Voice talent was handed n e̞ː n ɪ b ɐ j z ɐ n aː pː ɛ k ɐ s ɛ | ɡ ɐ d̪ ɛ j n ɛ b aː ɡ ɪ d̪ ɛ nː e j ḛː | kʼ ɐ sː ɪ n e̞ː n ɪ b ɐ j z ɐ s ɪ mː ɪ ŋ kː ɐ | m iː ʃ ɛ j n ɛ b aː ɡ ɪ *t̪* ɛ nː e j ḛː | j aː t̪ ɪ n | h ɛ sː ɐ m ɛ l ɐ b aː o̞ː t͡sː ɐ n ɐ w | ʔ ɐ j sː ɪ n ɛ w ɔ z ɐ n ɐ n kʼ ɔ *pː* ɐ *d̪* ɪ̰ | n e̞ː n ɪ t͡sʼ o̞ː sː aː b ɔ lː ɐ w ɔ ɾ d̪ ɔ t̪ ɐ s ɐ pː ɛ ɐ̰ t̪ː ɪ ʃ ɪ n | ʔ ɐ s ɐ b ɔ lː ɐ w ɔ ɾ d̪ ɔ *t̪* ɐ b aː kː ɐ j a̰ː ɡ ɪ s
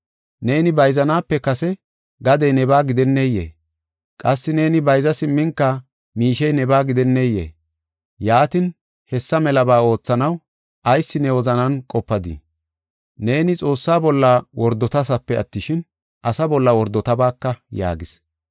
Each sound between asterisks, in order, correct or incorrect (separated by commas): incorrect, correct, correct, correct